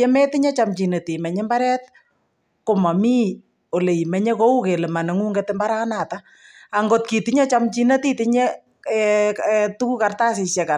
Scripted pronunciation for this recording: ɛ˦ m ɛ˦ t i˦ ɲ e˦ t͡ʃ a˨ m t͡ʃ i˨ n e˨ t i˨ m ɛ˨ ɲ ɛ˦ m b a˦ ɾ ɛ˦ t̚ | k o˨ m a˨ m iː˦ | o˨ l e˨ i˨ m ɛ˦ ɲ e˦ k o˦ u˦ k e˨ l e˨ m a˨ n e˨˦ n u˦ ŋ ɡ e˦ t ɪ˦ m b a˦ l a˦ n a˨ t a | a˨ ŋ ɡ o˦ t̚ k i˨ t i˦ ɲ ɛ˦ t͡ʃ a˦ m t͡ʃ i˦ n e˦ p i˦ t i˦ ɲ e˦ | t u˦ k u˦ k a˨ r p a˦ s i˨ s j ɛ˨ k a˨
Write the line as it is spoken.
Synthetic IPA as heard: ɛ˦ m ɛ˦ t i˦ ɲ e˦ t͡ʃ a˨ m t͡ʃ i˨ n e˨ t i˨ m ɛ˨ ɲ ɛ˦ m b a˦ ɾ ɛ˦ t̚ | k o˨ m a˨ m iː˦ | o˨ l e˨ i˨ m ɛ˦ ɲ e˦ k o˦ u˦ k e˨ l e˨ m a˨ n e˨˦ ŋ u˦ ŋ ɡ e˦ t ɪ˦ m b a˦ ɾ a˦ n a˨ t a | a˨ ŋ ɡ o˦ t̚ k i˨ t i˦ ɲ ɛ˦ t͡ʃ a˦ m t͡ʃ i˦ n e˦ t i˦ t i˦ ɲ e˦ | t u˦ k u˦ k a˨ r t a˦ s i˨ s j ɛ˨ k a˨